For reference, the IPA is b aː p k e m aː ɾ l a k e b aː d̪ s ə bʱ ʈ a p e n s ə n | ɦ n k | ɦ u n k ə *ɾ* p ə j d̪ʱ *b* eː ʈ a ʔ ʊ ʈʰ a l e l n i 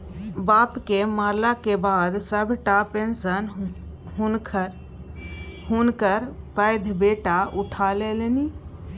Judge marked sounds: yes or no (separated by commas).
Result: yes, yes